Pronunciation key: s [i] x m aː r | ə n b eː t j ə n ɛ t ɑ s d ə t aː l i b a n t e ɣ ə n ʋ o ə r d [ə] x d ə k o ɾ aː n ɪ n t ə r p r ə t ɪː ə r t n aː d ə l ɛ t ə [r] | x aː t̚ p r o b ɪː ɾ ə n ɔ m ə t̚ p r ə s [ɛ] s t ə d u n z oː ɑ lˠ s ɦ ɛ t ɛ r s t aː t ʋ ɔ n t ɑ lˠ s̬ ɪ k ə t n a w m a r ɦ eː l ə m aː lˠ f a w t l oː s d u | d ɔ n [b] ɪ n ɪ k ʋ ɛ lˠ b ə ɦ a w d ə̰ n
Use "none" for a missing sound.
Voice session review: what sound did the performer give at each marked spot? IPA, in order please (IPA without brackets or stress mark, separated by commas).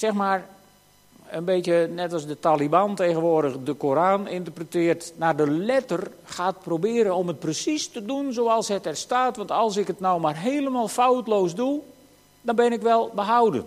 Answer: ɛ, ə, r, i, b